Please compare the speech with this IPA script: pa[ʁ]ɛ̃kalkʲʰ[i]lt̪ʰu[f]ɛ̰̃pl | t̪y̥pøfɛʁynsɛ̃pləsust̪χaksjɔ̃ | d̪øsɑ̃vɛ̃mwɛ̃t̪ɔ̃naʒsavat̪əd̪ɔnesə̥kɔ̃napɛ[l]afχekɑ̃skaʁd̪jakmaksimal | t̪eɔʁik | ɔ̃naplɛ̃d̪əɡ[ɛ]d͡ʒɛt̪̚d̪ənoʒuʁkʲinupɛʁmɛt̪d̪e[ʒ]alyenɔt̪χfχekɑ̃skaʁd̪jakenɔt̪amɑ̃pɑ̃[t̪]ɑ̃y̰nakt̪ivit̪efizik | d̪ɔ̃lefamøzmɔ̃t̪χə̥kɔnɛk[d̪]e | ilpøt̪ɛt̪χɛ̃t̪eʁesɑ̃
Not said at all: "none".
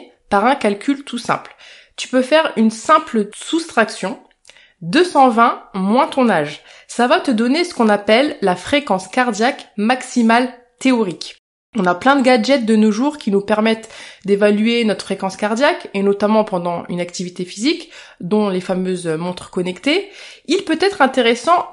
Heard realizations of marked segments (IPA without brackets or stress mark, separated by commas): ʁ, y, s, lː, a, v, d̪, t̪